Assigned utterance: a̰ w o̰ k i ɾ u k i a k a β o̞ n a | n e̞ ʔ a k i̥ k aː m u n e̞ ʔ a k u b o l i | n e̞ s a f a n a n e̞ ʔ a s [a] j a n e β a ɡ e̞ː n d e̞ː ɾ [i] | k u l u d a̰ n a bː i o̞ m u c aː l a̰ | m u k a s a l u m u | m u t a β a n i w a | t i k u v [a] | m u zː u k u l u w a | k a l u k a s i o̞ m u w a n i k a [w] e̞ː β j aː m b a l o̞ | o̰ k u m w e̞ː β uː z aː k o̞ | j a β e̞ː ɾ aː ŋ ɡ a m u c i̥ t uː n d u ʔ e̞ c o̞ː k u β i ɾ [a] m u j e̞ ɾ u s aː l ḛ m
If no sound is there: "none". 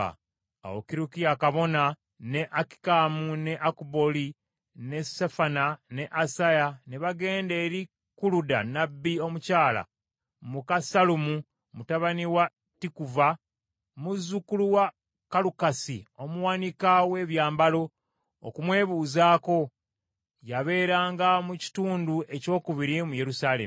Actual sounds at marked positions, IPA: a, i, a, w, i

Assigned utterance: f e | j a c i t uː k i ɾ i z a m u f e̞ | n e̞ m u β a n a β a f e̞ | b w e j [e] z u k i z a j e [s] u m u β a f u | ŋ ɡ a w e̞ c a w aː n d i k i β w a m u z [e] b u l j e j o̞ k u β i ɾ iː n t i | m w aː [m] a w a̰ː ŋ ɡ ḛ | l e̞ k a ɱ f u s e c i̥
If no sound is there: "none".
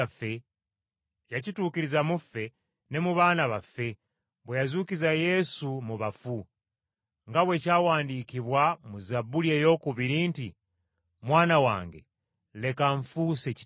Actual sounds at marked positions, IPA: a, s, a, n

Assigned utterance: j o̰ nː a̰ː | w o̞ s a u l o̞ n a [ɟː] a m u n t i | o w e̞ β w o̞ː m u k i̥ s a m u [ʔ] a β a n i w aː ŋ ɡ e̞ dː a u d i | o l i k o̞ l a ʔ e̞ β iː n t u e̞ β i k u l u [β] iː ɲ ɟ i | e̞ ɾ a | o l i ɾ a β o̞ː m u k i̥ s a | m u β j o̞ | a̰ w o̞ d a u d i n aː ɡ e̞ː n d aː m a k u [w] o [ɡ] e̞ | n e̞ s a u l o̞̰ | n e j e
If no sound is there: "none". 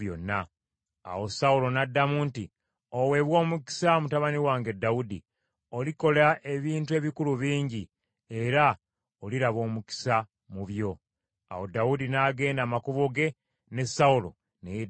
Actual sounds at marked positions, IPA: dː, t, β, β, ɡ

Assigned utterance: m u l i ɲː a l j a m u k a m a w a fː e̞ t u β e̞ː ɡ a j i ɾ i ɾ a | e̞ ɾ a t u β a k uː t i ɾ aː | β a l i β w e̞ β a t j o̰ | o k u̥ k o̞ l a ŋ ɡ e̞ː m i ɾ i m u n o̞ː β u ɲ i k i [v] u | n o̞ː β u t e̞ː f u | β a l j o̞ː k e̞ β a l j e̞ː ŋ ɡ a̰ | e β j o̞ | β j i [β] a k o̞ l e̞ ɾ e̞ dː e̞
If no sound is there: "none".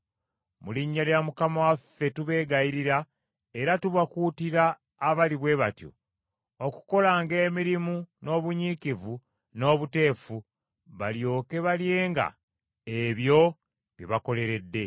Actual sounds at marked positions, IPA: v, β

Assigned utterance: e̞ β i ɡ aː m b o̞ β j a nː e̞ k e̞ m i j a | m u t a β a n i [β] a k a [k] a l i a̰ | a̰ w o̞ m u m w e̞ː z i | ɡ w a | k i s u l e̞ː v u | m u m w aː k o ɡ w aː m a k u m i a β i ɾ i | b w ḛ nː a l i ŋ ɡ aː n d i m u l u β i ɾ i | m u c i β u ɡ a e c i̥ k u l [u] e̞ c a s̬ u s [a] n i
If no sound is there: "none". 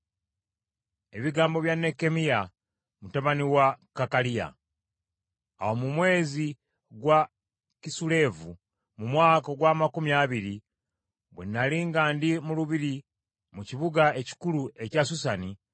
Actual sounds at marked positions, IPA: w, k, u, a

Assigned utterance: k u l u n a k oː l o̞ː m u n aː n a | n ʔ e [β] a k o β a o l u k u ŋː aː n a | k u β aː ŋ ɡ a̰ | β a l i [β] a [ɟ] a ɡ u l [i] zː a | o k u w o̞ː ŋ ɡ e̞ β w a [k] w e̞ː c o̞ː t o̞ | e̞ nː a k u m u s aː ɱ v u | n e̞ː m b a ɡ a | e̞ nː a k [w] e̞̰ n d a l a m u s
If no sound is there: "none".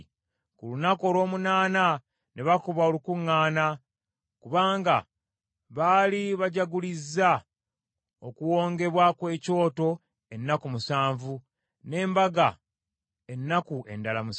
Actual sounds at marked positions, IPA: β, β, ɟ, i, k, u

